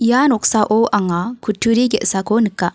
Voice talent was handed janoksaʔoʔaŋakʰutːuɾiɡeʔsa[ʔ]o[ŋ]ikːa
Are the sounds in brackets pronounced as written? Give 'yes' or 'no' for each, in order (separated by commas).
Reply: no, no